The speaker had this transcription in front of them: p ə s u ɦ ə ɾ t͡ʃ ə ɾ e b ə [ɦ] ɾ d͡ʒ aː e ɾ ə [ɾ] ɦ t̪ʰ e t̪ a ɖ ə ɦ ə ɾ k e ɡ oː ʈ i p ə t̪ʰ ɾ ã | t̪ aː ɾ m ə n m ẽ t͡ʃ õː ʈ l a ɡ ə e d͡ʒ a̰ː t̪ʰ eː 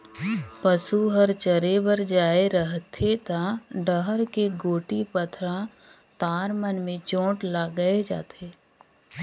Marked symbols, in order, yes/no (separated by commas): no, no